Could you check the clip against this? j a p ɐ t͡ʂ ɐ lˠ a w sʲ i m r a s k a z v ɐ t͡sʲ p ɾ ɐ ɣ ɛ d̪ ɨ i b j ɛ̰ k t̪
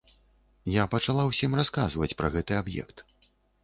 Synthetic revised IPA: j a p ɐ t͡ʂ a lˠ a w sʲ i m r a s k a z v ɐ t͡sʲ p ɾ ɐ ɣ ɛ t̪ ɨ a b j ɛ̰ k t̪